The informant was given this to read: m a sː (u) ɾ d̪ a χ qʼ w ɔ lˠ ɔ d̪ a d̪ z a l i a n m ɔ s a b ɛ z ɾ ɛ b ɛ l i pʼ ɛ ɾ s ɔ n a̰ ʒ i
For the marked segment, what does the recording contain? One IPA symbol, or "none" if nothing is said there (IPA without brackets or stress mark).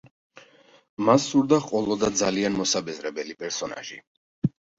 u